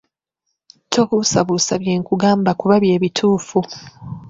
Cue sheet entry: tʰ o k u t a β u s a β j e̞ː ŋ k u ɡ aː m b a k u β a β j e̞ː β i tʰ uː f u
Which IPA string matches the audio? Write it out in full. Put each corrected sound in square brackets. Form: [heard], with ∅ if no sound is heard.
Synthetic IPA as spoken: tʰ o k u [s] a β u s a β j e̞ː ŋ k u ɡ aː m b a k u β a β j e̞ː β i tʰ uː f u

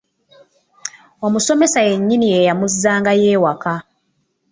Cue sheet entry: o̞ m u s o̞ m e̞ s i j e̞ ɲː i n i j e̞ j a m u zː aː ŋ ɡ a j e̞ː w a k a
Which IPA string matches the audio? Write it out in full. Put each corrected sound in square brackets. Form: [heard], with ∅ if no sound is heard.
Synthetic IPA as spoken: o̞ m u s o̞ m e̞ s [a] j e̞ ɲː i n i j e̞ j a m u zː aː ŋ ɡ a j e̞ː w a k a

